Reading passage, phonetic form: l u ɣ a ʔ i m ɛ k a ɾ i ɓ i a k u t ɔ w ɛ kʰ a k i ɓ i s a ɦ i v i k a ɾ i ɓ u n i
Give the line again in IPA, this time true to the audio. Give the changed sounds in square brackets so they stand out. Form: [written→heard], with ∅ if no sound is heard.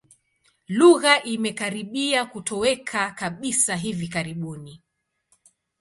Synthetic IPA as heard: l u ɣ a ʔ i m ɛ k a ɾ i ɓ i a k u t ɔ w ɛ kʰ a k [i→a] ɓ i s a ɦ i v i k a ɾ i ɓ u n i

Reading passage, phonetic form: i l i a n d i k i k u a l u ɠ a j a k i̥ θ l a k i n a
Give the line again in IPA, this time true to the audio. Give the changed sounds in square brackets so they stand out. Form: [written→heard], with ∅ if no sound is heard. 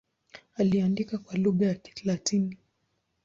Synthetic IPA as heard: [i→a] l i a n d i k [i→a] k [u→w] a l u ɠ a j a k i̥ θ l a [k→t] i n [a→i]

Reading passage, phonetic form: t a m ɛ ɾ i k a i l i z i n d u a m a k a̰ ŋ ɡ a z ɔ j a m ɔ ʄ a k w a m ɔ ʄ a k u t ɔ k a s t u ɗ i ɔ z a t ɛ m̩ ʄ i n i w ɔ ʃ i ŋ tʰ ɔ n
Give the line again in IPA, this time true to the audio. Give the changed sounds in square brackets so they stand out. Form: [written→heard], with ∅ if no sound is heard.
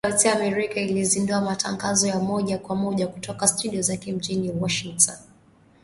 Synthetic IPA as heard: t a m ɛ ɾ i k a i l i z i n d u a m a [k→t] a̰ ŋ ɡ a z ɔ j a m ɔ ʄ a k w a m ɔ ʄ a k u t ɔ k a s t u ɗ i ɔ z a [t→k] ɛ m̩ ʄ i n i w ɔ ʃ i ŋ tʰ ɔ n

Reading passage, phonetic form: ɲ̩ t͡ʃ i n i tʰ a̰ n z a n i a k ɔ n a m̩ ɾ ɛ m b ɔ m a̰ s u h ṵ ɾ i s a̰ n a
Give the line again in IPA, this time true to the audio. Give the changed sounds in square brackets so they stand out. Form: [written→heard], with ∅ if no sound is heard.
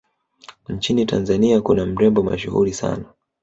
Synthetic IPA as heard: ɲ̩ t͡ʃ i n i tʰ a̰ n z a n i a k [ɔ→u] n a m̩ ɾ ɛ m b ɔ m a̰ [s→ʃ] u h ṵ ɾ i s a̰ n a

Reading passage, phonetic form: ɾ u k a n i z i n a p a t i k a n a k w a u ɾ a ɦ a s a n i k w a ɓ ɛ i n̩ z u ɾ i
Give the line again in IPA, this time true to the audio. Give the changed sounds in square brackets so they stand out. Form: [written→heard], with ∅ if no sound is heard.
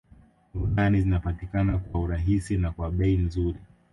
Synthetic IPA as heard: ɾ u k a n i z i n a p a t i k a n a k w a u ɾ a ɦ [a→i] s [a→i] n [i→a] k w a ɓ ɛ i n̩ z u ɾ i

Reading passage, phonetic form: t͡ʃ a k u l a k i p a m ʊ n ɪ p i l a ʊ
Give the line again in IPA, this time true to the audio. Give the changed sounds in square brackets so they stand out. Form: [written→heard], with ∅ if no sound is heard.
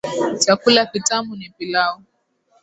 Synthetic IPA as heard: t͡ʃ a k u l a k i [p→t] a m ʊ n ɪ p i l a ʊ

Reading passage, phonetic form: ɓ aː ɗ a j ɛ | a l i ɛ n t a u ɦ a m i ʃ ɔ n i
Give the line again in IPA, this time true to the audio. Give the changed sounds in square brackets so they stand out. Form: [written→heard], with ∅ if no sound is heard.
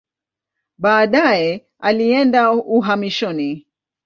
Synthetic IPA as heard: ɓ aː ɗ a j ɛ | a l i ɛ n [t→d] a u ɦ a m i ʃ ɔ n i

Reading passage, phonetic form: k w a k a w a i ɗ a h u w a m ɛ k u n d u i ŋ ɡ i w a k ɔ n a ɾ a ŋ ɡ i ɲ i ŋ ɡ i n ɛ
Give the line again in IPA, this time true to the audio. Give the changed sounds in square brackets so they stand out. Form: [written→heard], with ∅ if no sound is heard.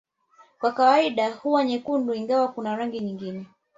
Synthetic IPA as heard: k w a k a w a i ɗ a h u w a [m→ɲ] ɛ k u n d u i ŋ ɡ [i→a] w a k [ɔ→u] n a ɾ a ŋ ɡ i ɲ i ŋ ɡ i n ɛ

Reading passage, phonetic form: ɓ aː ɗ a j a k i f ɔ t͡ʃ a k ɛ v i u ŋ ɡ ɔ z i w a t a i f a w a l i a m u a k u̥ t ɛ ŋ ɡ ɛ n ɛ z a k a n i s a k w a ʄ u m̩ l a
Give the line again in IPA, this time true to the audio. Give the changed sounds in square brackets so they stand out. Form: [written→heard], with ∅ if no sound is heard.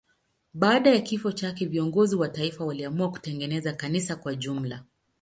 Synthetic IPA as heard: ɓ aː ɗ a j a k i f ɔ t͡ʃ a k ɛ v i [u→ɔ] ŋ ɡ ɔ z i w a t a i f a w a l i a m u a k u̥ t ɛ ŋ ɡ ɛ n ɛ z a k a n i s a k w a ʄ u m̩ l a

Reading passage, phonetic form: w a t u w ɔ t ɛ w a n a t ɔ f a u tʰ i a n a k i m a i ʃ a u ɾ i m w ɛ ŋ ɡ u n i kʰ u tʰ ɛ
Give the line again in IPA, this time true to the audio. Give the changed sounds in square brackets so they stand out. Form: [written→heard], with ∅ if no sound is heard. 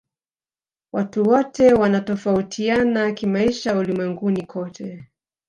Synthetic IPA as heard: w a t u w ɔ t ɛ w a n a t ɔ f a u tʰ i a n a k i m a i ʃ a u [ɾ→l] i m w ɛ ŋ ɡ u n i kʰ [u→ɔ] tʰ ɛ

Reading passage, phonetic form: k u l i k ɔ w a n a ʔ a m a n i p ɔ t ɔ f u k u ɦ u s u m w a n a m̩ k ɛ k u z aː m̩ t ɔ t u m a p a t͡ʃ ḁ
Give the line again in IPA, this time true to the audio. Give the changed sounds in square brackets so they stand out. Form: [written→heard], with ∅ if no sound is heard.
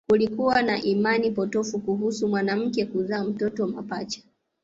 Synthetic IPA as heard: k u l i k [ɔ→u] w a n a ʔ [a→i] m a n i p ɔ t ɔ f u k u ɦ u s u m w a n a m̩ k ɛ k u z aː m̩ t ɔ t [u→ɔ] m a p a t͡ʃ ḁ

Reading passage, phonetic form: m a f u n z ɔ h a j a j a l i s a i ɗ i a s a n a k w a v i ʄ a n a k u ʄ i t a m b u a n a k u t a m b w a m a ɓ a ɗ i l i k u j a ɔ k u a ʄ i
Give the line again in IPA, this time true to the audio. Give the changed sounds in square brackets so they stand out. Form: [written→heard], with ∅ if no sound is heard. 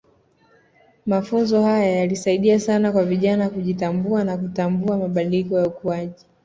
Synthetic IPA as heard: m a f u n z ɔ h a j a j a l i s a i ɗ i a s a n a k w a v i ʄ a n a k u ʄ i t a m b u a n a k u t a m b [w→u] a m a ɓ a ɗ i l i k [u→ɔ] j a [ɔ→u] k u a ʄ i

